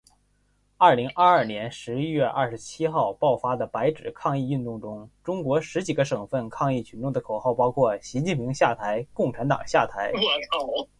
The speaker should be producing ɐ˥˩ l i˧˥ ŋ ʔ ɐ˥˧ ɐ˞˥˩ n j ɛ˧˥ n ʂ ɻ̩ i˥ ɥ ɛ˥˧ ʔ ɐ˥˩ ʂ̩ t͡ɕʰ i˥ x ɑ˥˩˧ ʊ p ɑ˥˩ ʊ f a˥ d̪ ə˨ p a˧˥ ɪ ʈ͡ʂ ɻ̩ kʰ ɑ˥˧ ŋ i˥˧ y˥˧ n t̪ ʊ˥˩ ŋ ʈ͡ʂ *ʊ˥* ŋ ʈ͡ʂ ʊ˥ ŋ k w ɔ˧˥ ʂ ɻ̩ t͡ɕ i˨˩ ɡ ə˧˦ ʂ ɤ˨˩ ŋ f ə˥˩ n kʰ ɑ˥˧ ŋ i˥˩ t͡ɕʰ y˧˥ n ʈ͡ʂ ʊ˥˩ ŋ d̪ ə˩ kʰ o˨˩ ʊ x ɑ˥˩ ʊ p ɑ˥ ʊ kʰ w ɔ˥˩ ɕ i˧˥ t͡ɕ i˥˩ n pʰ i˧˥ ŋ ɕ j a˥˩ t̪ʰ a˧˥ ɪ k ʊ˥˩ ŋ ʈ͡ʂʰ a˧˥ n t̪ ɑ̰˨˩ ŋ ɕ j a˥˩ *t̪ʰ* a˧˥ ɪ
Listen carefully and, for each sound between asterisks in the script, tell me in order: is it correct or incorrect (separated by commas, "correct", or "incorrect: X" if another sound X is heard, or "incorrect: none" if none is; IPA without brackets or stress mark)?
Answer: correct, correct